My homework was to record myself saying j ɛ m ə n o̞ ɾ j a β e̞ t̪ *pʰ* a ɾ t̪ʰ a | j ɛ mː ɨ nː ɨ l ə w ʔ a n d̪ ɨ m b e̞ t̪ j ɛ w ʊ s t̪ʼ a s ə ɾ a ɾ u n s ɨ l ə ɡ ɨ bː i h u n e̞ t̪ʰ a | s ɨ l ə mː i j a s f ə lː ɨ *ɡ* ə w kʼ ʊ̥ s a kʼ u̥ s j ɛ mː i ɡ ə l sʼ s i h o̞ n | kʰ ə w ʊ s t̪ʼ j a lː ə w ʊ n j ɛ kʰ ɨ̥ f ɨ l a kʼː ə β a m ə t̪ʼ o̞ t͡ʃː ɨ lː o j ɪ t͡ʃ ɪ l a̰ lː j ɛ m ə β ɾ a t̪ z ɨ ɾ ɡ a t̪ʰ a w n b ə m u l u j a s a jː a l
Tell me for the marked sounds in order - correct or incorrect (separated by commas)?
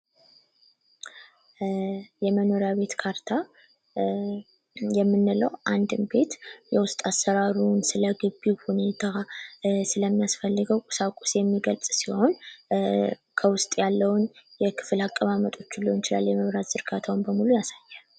incorrect, correct